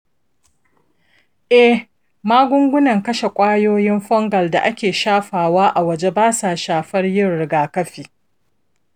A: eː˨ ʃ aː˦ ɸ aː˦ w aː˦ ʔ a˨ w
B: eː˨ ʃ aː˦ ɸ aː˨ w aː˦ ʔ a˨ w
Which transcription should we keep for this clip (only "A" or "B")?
B